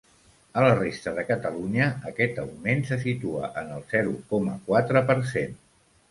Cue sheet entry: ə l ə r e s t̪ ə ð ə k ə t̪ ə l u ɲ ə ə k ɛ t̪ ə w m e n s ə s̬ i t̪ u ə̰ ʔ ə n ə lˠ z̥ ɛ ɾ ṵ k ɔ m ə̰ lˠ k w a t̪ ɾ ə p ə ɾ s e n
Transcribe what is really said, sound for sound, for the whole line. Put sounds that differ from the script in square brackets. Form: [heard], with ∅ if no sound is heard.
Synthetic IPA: ə l ə r e s t̪ ə ð ə k ə t̪ ə l u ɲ ə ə k ɛ t̪ ə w m e n s ə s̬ i t̪ u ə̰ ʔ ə n ə lˠ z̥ ɛ ɾ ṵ k ɔ m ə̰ [∅] k w a t̪ ɾ ə p ə ɾ s e n